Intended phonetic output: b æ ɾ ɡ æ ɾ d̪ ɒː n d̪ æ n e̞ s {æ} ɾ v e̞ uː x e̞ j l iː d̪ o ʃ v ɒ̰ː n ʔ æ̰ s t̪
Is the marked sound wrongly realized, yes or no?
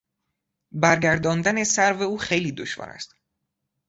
no